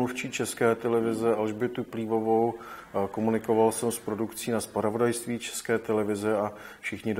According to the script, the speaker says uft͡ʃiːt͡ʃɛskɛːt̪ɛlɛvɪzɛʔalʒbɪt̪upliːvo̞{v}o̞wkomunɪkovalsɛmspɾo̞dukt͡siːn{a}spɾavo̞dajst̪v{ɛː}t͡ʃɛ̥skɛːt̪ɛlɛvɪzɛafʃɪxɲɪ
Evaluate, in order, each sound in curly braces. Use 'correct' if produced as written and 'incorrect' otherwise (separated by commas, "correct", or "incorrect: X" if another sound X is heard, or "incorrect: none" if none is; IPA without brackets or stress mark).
correct, correct, incorrect: iː